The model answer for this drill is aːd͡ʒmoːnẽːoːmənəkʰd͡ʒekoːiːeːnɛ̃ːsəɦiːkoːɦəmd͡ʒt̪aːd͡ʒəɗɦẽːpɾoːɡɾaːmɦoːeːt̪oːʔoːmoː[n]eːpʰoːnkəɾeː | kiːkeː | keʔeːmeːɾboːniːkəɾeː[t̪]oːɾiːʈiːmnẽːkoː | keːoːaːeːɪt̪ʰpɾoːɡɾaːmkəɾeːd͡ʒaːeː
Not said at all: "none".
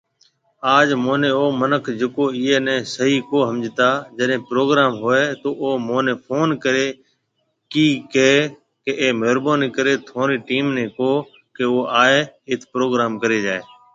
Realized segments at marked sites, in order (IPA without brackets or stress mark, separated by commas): n, t̪ʰ